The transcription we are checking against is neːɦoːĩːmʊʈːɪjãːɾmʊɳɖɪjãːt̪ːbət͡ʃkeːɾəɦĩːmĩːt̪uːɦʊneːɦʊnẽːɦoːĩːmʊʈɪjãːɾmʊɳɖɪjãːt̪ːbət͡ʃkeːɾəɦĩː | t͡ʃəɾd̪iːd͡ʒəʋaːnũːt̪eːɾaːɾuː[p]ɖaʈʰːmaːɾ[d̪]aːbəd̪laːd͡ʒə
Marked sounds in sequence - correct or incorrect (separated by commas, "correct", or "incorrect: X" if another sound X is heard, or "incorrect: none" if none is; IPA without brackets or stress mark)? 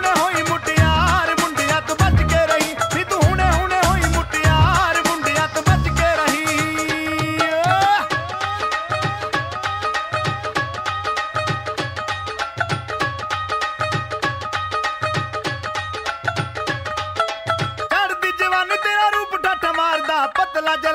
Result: correct, correct